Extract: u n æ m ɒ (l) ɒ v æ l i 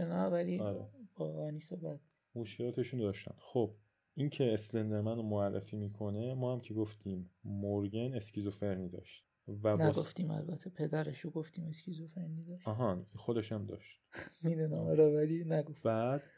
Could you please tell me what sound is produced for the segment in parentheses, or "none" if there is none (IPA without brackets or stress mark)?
ɾ